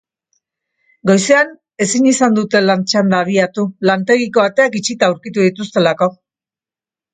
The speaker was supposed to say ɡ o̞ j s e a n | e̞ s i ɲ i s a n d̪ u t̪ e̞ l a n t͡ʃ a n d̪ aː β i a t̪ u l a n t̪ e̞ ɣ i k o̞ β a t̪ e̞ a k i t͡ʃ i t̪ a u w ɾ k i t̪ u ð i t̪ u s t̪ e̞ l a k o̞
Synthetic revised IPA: ɡ o̞ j s e a n | e̞ s i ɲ i s a n d̪ u t̪ e̞ l a n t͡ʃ a n d̪ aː β i a t̪ u l a n t̪ e̞ ɣ i k o̞ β a t̪ e̞ a k i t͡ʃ i t̪ a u w ɾ k i t̪ u ð i t̪ u s t̪ e̞ l a k o̞